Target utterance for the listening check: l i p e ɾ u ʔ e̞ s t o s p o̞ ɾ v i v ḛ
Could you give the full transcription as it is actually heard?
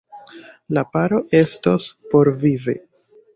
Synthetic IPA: l a p a ɾ o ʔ e̞ s t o s p o̞ ɾ v i v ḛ